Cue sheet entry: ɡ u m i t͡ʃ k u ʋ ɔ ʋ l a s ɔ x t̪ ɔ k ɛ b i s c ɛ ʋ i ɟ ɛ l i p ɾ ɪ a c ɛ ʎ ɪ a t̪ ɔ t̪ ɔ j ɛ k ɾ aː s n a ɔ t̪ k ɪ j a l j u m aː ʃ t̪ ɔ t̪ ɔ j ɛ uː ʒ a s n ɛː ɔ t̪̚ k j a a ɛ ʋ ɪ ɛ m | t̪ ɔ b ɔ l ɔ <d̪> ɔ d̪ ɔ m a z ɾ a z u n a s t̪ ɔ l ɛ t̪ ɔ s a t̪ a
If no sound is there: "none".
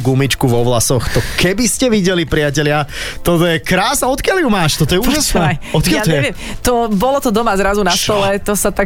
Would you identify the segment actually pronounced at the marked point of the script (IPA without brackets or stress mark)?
t̪